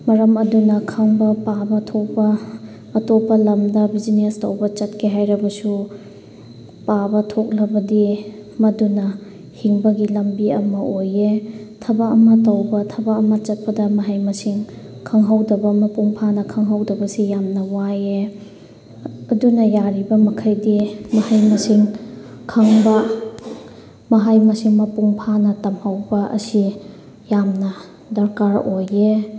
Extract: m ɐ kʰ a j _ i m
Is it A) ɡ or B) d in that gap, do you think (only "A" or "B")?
B